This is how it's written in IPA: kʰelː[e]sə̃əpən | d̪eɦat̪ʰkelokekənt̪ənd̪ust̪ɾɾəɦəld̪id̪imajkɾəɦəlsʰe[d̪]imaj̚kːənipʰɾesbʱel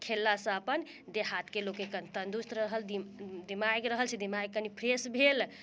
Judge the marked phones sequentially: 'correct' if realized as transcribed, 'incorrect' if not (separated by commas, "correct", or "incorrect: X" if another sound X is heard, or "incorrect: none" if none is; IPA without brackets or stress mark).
incorrect: a, correct